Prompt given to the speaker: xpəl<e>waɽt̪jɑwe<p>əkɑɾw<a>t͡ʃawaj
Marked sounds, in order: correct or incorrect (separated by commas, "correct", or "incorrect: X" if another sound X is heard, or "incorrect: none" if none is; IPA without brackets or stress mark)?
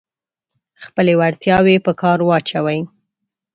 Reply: correct, correct, incorrect: ɑ